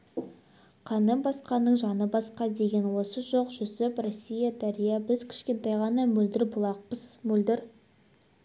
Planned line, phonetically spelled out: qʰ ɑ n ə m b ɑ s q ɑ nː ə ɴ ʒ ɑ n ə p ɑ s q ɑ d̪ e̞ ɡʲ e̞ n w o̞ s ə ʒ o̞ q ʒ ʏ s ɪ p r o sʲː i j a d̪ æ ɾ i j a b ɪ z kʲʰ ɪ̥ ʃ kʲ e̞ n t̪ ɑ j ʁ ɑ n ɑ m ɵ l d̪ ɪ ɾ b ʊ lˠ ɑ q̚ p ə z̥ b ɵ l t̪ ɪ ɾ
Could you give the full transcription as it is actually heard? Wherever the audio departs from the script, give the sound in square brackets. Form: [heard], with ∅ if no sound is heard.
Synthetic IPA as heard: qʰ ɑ n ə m b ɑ s q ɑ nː ə ɴ ʒ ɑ n ə [b] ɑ s q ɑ d̪ e̞ ɡʲ e̞ n w o̞ s ə ʒ o̞ q ʒ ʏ s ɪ p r o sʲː i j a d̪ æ ɾ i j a b ɪ z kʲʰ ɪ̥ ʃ kʲ e̞ n t̪ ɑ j ʁ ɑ n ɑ m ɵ l d̪ ɪ ɾ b ʊ lˠ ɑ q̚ p ə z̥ [m] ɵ l [d̪] ɪ ɾ